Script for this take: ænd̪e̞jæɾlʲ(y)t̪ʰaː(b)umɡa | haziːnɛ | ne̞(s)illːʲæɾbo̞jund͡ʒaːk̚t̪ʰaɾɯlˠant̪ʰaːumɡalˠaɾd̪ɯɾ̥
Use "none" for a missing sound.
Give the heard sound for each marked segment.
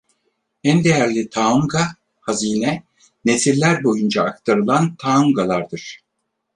i, none, s

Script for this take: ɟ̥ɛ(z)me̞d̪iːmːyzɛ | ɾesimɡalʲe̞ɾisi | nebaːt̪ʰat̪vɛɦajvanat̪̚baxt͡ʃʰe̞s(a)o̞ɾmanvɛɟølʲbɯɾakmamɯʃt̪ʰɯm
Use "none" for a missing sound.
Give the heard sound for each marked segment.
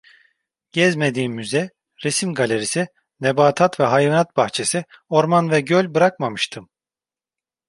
z, i

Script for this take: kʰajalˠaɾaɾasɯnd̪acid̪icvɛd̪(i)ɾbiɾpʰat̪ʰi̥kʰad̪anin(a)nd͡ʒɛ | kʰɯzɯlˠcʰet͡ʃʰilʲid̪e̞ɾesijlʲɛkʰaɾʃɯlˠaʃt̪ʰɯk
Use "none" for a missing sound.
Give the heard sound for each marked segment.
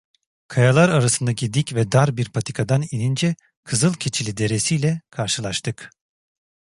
a, i

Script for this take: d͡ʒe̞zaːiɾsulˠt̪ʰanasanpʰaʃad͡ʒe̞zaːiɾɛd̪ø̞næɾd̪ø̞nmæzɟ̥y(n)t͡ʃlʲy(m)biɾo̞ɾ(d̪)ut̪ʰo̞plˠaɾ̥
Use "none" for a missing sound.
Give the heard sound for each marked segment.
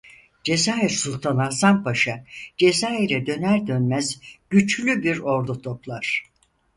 none, none, d̪

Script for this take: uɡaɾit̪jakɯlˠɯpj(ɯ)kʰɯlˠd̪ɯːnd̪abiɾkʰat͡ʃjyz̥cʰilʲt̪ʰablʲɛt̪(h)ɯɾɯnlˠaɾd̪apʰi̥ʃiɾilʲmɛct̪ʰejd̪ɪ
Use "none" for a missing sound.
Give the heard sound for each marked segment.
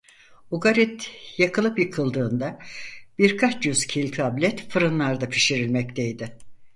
ɯ, f

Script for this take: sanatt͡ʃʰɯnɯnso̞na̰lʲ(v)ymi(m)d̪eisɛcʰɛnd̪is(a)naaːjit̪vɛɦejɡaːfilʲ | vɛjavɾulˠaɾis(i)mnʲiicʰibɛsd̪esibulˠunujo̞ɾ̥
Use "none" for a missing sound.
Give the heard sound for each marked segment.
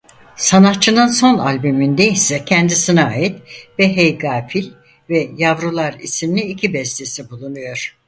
b, n, i, i

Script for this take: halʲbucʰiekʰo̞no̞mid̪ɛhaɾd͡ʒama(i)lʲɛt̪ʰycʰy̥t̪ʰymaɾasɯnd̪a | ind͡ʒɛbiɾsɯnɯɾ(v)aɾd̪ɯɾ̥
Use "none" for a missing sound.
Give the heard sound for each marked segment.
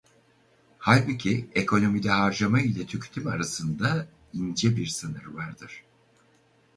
i, v

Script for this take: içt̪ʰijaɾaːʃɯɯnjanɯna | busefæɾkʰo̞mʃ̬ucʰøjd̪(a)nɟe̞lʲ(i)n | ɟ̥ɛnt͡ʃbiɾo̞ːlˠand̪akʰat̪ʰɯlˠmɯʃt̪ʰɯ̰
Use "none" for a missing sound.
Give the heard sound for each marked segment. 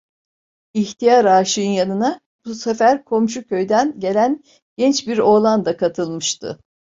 æ, æ

